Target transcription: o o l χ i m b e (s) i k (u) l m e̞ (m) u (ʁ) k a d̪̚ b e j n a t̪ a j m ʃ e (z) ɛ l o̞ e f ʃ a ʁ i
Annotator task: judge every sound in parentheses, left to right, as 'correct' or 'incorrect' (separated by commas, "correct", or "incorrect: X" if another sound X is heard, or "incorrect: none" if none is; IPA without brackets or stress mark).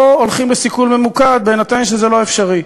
correct, correct, correct, incorrect: none, correct